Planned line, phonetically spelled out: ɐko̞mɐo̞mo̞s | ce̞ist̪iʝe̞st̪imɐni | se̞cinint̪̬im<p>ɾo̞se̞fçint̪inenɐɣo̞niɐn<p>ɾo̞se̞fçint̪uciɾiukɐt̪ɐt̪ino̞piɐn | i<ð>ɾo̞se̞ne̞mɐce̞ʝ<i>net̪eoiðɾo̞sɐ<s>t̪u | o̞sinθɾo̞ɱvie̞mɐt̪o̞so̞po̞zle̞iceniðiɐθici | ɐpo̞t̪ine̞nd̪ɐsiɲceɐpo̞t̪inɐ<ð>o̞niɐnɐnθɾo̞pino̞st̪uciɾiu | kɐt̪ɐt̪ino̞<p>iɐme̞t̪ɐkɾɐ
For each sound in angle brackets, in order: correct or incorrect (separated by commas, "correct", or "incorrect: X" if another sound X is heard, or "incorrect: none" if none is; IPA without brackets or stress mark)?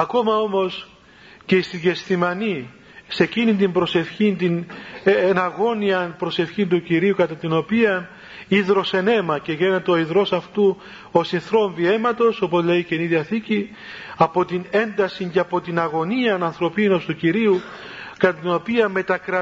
incorrect: b, correct, correct, incorrect: e, incorrect: f, incorrect: ɣ, correct